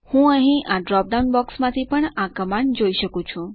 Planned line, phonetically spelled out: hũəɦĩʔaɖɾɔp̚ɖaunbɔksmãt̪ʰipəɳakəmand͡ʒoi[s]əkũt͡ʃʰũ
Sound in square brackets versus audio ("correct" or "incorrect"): incorrect